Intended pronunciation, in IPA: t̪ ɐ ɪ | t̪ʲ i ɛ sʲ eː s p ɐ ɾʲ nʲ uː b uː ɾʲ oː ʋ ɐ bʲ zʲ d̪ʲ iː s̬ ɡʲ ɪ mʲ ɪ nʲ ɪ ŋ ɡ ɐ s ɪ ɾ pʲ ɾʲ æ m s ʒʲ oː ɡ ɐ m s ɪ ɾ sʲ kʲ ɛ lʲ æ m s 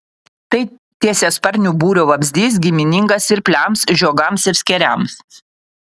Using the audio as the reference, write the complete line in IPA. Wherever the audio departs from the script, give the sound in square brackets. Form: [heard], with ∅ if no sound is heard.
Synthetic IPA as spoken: t̪ ɐ ɪ | t̪ʲ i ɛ sʲ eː s p ɐ ɾʲ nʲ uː b uː ɾʲ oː ʋ ɐ bʲ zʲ d̪ʲ iː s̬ ɡʲ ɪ mʲ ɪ nʲ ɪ ŋ ɡ ɐ s ɪ ɾ pʲ [lʲ] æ m s ʒʲ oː ɡ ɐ m s ɪ ɾ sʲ kʲ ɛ [ɾʲ] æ m s